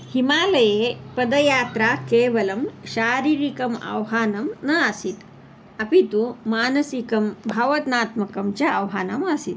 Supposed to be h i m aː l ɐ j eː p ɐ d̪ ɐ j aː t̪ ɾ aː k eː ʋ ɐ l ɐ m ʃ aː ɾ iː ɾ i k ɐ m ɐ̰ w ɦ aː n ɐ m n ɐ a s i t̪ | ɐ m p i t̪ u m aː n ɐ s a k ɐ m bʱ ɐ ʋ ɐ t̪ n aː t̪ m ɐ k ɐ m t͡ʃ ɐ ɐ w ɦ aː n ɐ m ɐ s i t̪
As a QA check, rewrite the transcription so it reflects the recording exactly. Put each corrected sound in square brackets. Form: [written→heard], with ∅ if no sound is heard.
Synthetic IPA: h i m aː l ɐ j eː p ɐ d̪ ɐ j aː t̪ ɾ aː k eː ʋ ɐ l ɐ m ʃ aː ɾ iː ɾ i k ɐ m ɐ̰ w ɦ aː n ɐ m n ɐ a s i t̪ | ɐ [m→∅] p i t̪ u m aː n ɐ s [a→i] k ɐ m bʱ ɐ ʋ ɐ t̪ n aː t̪ m ɐ k ɐ m t͡ʃ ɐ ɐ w ɦ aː n ɐ m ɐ s i t̪